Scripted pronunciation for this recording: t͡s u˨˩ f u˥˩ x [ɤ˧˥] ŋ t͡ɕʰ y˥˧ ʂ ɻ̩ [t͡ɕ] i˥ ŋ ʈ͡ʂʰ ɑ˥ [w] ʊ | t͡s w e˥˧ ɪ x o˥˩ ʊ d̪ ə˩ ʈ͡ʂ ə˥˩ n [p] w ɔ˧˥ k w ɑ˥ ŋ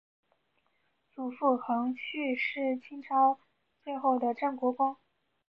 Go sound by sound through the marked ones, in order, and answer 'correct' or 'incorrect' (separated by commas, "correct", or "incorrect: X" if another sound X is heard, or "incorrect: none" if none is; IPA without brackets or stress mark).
correct, incorrect: t͡ɕʰ, incorrect: none, incorrect: k